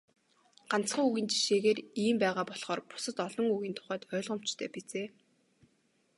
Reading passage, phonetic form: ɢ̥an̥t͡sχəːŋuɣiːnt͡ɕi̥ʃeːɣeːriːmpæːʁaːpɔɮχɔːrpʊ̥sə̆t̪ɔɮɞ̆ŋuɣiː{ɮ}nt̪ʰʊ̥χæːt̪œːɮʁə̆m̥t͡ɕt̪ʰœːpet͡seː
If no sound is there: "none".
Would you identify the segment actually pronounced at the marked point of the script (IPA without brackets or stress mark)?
none